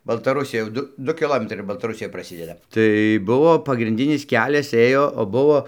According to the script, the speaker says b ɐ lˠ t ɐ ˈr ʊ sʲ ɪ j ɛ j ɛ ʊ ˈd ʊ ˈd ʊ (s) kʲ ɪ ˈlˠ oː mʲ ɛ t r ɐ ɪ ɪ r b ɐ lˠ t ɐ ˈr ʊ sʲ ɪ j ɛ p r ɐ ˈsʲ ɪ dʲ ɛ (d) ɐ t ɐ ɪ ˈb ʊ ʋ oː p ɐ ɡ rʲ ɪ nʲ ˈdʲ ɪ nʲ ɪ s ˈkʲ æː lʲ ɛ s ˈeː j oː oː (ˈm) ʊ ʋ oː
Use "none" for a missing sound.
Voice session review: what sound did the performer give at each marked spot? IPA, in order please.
none, d, b

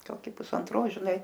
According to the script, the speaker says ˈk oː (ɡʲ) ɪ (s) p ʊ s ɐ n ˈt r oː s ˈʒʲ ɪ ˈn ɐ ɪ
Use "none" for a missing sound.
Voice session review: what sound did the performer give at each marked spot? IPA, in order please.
kʲ, none

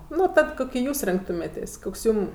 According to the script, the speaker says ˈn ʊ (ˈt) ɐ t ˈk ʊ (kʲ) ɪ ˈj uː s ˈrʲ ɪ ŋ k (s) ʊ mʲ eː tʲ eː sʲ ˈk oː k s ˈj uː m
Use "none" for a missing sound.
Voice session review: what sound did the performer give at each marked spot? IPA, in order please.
t, kʲ, t

